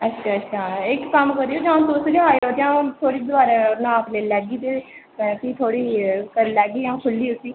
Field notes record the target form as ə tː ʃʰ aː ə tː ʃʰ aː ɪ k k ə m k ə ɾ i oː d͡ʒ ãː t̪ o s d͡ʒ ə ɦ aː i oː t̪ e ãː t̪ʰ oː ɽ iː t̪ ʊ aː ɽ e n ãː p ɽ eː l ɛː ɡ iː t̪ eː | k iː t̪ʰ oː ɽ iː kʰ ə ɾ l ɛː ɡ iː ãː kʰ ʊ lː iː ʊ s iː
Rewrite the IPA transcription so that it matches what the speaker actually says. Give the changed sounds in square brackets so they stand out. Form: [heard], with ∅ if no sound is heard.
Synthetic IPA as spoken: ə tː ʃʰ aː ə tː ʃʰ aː ɪ k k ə m k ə ɾ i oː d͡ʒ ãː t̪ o s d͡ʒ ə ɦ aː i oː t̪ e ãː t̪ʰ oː ɽ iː [d̪] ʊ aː [ɾ] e n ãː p [l] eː l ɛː ɡ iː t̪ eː | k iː t̪ʰ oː ɽ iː [k] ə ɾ l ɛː ɡ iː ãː kʰ ʊ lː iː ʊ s iː